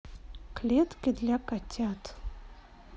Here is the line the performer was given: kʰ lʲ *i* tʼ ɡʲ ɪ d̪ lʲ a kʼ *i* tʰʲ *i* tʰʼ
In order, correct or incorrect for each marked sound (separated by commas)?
incorrect, incorrect, incorrect